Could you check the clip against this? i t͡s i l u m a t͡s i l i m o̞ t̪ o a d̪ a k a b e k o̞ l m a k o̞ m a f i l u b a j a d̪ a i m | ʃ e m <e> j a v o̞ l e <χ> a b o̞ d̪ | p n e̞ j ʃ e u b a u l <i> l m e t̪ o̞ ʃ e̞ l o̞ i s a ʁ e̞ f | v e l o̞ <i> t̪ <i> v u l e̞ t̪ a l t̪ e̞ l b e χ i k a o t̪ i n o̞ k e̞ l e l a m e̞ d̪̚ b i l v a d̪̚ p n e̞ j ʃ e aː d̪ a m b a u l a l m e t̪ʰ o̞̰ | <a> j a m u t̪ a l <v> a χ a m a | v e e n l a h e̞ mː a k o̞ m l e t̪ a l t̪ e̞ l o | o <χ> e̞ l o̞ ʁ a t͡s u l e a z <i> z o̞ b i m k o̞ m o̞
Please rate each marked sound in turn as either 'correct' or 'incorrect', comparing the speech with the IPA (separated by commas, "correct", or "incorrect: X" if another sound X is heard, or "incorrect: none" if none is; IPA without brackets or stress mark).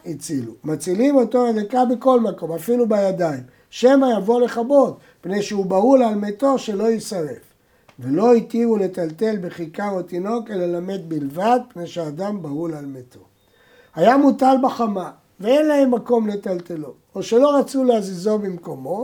incorrect: a, correct, incorrect: a, correct, correct, correct, incorrect: b, incorrect: ʃ, correct